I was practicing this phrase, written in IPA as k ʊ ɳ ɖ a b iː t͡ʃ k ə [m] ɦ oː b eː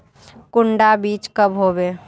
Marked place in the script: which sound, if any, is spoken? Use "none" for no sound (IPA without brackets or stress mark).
b